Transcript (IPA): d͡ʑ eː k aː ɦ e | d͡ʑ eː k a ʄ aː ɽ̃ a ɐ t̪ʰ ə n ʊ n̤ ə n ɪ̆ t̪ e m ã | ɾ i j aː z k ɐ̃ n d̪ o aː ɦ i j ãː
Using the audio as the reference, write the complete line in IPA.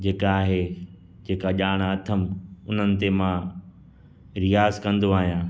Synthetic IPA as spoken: d͡ʑ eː k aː ɦ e | d͡ʑ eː k a ʄ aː ɽ̃ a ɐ t̪ʰ ə m ʊ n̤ ə n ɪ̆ t̪ e m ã | ɾ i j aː z k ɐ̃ n d̪ o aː ɦ i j ãː